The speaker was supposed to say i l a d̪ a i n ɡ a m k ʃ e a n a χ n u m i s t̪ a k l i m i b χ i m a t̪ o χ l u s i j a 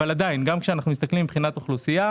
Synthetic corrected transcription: a l a d̪ a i n ɡ a m k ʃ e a n a χ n u m i s t̪ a k l i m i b χ i n a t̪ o χ l u s i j a